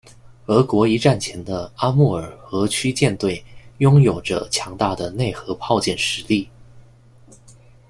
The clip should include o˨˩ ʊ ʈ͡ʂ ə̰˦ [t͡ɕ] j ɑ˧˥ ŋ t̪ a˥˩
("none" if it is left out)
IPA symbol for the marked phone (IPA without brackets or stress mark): t͡ɕʰ